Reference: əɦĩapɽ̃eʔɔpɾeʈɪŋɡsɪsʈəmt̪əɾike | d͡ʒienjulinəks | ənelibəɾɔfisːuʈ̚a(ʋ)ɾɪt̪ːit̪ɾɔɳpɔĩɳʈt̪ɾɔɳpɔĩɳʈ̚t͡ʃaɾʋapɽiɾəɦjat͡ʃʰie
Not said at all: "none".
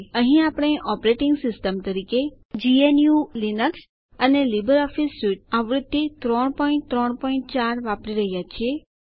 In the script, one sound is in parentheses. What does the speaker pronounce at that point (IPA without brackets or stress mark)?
ʋ